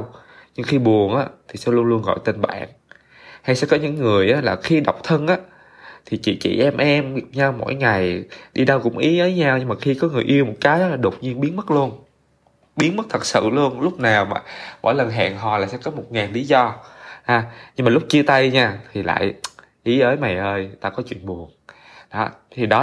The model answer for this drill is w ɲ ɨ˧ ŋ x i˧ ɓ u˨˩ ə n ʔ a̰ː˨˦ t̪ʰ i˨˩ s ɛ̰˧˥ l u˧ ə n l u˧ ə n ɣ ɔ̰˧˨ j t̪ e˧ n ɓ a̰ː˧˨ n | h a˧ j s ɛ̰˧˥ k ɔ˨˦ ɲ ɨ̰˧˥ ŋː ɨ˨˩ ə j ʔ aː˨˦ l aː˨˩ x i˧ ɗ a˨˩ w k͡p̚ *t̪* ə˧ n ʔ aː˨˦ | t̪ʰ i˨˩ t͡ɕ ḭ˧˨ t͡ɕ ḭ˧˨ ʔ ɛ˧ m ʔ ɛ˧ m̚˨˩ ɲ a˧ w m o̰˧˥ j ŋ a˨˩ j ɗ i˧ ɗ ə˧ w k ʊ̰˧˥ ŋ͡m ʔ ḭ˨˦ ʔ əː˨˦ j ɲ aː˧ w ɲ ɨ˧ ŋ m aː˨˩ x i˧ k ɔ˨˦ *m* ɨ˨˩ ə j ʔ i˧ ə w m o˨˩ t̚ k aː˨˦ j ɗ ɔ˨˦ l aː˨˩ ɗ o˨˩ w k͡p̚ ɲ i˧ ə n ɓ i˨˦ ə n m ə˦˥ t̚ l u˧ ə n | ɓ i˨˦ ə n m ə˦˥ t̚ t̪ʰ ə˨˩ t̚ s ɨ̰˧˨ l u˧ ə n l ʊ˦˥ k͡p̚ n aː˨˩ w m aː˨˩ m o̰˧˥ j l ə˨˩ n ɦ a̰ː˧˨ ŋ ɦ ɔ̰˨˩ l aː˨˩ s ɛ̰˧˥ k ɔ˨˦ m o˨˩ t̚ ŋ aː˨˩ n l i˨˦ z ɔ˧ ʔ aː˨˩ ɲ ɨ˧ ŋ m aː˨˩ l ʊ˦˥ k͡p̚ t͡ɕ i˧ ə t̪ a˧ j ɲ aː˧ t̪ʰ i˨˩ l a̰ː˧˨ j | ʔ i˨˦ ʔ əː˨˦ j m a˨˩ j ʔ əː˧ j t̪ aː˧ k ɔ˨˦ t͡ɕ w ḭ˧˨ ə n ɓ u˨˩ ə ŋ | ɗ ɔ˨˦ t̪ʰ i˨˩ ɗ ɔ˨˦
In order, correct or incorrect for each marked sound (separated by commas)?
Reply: incorrect, incorrect